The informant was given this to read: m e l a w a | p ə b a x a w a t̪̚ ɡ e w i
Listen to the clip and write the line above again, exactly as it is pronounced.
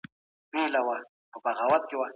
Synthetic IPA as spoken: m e l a w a | p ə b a ɣ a w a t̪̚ k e w a